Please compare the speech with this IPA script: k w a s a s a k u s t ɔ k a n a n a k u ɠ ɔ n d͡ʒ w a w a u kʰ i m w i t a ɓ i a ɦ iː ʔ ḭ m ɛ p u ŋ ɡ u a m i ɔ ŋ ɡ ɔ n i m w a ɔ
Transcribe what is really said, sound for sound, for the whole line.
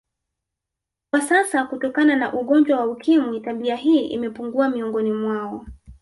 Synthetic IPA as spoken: k w a s a s a k u t ɔ k a n a n a ʔ u ɠ ɔ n d͡ʒ w a w a u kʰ i m w i t a ɓ i a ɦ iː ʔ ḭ m ɛ p u ŋ ɡ u a m i ɔ ŋ ɡ ɔ n i m w a ɔ